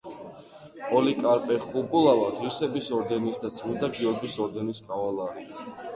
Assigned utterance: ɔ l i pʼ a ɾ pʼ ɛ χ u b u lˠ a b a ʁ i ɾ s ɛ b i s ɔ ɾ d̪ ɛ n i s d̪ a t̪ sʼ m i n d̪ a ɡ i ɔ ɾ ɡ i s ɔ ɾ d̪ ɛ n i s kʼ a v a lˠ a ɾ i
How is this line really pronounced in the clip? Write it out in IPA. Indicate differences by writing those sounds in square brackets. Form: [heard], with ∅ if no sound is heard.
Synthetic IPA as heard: ɔ l i [kʼ] a ɾ pʼ ɛ χ u b u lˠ a [v] a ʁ i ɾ s ɛ b i s ɔ ɾ d̪ ɛ n i s d̪ a t̪ sʼ m i n d̪ a ɡ i ɔ ɾ ɡ i s ɔ ɾ d̪ ɛ n i s kʼ a v a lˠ a ɾ i